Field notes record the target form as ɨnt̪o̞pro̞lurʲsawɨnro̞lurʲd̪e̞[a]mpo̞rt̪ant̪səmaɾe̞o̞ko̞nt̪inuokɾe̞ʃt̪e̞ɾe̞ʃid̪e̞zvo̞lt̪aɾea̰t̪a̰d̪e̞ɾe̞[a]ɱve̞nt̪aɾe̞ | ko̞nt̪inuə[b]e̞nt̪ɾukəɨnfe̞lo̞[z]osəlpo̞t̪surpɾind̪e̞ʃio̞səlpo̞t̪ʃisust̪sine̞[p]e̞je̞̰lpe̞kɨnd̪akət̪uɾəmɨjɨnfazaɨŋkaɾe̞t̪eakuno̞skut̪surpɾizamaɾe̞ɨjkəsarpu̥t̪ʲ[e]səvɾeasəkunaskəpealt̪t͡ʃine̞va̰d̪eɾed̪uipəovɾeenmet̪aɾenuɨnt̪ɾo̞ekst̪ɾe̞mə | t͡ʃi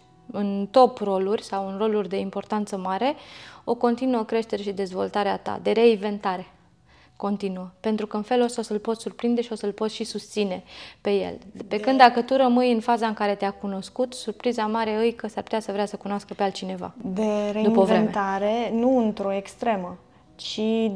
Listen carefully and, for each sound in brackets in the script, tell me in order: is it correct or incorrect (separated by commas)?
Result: incorrect, incorrect, incorrect, incorrect, correct, incorrect